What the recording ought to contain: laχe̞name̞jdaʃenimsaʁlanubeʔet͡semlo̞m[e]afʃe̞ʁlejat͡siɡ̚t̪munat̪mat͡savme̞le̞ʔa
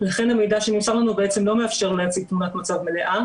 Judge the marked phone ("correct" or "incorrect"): correct